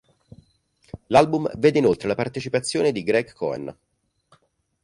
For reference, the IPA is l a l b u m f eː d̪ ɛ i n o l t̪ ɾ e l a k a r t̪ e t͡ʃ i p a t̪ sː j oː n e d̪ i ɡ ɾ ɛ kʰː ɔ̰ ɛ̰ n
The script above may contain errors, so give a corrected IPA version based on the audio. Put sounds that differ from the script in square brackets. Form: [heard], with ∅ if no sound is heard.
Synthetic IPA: l a l b u m [v] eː d̪ [e] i n o l t̪ ɾ e l a [p] a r t̪ e t͡ʃ i p a t̪ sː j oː n e d̪ i ɡ ɾ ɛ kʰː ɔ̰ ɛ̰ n